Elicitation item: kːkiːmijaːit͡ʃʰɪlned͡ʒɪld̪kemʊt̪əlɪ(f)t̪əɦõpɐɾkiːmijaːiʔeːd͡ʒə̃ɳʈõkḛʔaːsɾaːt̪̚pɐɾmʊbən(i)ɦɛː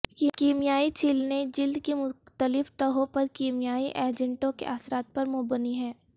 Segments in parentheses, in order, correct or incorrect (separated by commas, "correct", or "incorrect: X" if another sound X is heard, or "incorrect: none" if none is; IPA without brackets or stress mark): correct, correct